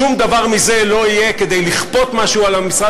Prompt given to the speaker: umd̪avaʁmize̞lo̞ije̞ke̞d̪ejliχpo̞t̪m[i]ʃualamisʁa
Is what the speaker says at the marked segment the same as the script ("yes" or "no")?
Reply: no